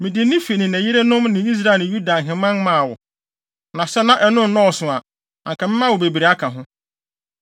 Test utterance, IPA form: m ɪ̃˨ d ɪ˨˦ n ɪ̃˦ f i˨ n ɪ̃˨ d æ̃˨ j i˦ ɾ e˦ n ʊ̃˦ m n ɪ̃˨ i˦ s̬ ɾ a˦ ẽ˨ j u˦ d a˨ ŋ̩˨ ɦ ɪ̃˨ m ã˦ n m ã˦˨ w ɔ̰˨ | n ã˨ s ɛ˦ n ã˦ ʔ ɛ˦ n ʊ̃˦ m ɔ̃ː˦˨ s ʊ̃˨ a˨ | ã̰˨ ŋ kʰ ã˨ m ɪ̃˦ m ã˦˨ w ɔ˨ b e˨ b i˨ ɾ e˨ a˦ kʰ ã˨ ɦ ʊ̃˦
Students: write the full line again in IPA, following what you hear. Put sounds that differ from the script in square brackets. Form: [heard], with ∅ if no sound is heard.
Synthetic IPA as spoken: m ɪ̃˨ d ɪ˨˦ n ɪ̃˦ f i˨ n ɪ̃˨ [n] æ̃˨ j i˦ ɾ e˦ n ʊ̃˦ m n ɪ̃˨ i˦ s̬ ɾ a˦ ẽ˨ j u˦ d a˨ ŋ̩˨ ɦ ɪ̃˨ m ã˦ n m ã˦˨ w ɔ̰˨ | n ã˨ s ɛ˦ n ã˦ ʔ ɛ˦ n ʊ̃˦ [n] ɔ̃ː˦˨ s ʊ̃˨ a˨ | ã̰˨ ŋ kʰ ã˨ m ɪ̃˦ m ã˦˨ w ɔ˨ b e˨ b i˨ ɾ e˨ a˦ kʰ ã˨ ɦ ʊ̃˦